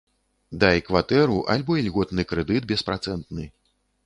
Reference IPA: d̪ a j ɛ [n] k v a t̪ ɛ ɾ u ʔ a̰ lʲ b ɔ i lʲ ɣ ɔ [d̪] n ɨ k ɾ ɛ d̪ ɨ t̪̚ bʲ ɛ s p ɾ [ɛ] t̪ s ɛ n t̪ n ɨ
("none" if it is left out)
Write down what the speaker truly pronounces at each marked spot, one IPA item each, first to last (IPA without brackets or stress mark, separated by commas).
none, t̪, a